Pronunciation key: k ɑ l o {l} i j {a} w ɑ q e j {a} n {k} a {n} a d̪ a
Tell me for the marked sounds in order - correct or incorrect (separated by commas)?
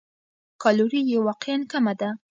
incorrect, incorrect, correct, correct, incorrect